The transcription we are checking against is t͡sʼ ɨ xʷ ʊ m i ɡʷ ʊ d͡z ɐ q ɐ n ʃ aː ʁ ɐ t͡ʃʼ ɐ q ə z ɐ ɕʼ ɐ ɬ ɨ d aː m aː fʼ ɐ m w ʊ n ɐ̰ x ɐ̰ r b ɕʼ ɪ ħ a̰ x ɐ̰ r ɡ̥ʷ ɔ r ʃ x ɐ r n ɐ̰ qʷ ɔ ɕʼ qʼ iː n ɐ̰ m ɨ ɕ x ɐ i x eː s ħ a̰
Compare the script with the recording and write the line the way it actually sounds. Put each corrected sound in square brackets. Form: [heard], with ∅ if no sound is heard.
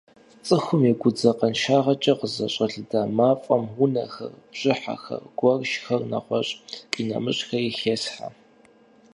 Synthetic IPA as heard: t͡sʼ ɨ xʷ ʊ m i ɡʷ ʊ d͡z ɐ q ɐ n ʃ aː ʁ ɐ t͡ʃʼ ɐ q ə z ɐ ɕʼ ɐ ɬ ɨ d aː m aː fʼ ɐ m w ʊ n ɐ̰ x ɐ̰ r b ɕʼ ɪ ħ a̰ x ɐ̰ r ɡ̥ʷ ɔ r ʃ x ɐ r n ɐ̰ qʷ ɔ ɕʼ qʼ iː n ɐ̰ m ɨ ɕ x ɐ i x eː s ħ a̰